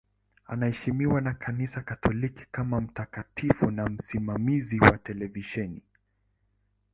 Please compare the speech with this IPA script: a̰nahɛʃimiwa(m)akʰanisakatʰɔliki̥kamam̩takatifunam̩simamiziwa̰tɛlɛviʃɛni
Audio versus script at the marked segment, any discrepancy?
yes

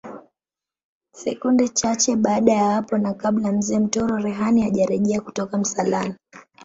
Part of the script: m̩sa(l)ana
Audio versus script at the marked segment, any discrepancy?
no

